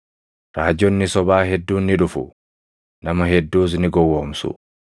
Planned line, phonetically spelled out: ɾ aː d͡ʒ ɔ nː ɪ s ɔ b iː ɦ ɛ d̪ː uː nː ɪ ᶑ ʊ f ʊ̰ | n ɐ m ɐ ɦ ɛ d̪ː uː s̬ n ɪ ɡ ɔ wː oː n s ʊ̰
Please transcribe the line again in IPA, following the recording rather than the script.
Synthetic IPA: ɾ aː d͡ʒ ɔ nː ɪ s ɔ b aː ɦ ɛ d̪ː uː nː ɪ ᶑ ʊ f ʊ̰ | n ɐ m ɐ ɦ ɛ d̪ː uː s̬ n ɪ ɡ ɔ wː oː m s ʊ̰